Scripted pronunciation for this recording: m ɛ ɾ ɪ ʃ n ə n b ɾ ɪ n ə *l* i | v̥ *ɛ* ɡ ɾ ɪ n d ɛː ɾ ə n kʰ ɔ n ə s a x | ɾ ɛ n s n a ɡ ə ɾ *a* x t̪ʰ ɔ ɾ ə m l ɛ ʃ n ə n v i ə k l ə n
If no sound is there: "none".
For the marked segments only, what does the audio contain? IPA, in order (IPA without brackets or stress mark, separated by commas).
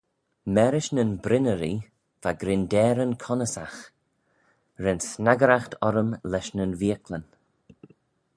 ɾ, a, a